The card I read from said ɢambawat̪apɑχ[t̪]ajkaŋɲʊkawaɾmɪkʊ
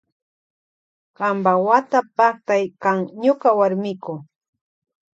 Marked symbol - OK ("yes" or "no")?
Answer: yes